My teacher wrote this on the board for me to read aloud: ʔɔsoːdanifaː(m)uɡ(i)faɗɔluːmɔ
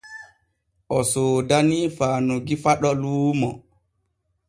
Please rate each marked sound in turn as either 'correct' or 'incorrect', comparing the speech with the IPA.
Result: incorrect: n, correct

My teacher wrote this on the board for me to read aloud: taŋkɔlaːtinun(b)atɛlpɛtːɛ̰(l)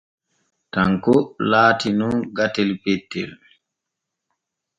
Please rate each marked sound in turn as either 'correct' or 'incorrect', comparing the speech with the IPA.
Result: incorrect: ɡ, correct

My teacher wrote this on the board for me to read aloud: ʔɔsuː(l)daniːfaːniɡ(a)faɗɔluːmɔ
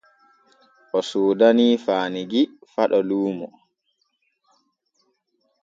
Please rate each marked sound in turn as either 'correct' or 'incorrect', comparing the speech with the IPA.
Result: incorrect: none, incorrect: i

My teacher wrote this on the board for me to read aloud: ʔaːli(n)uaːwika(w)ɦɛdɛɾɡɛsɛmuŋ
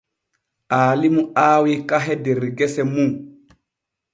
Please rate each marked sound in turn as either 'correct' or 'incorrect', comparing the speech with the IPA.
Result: incorrect: m, incorrect: none

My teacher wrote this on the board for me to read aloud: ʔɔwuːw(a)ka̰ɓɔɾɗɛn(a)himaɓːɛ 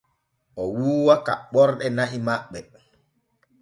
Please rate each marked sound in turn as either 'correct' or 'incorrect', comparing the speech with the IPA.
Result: correct, correct

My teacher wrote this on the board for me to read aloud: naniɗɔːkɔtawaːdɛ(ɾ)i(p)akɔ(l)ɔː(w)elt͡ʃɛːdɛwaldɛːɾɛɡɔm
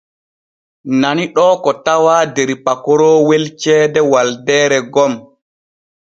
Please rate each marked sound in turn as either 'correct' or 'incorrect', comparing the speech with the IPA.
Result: correct, correct, incorrect: ɾ, correct

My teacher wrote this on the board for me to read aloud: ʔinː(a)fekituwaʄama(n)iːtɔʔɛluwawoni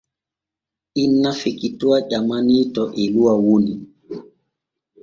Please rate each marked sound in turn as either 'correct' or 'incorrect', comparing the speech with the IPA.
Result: correct, correct

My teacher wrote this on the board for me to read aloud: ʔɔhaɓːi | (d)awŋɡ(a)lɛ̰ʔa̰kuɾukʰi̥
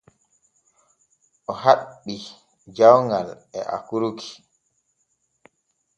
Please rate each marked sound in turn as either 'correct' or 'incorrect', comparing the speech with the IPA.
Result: incorrect: d͡ʒ, correct

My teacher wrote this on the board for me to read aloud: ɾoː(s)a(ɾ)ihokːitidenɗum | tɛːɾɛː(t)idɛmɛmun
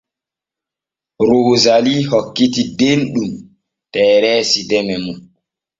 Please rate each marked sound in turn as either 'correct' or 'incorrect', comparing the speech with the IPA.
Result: incorrect: z, incorrect: l, incorrect: s

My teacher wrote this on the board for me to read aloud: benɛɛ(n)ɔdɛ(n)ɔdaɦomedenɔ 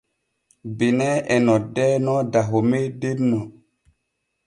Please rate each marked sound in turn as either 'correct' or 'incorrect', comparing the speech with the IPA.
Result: correct, correct

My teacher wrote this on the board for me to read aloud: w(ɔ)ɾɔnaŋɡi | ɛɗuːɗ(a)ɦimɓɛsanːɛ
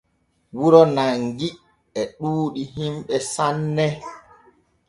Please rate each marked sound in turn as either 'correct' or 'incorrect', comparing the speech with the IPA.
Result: incorrect: u, incorrect: i

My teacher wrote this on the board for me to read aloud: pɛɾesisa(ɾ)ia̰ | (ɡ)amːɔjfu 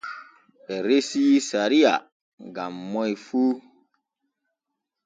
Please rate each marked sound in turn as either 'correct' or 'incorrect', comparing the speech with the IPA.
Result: correct, correct

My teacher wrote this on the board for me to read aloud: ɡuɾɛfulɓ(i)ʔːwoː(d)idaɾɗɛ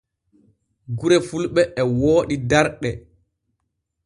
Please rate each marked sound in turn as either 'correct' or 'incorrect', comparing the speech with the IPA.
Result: incorrect: ɛ, incorrect: ɗ

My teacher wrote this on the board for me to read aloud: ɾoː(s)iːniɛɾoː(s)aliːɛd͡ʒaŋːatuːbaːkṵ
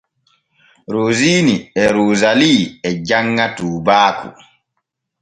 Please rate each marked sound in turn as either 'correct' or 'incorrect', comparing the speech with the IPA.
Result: incorrect: z, incorrect: z

